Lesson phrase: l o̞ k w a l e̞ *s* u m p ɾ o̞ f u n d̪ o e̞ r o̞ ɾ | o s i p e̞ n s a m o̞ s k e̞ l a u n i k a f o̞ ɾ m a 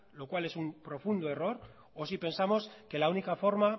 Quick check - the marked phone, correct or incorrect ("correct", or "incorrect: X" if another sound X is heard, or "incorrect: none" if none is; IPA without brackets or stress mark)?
correct